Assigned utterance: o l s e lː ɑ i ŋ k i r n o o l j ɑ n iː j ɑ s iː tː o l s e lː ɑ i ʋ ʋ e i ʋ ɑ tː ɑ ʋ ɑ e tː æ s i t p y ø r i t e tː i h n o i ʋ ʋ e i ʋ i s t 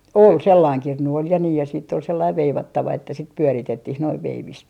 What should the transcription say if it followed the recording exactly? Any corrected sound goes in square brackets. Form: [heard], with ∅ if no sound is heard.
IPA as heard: o l s e lː ɑ i ŋ k i r n [u] o l j ɑ n iː j ɑ s iː tː o l s e lː ɑ i ʋ ʋ e i ʋ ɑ tː ɑ ʋ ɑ e tː æ s i t p y ø r i t e tː i h n o i ʋ ʋ e i ʋ i s t